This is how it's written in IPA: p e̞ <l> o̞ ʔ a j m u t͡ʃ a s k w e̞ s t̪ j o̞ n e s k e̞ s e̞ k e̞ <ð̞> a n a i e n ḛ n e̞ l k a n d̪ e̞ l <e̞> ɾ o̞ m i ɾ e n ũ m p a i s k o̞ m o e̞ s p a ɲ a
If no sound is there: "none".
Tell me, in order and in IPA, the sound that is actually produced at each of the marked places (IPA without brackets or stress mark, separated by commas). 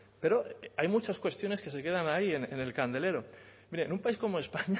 ɾ, ð̞, e̞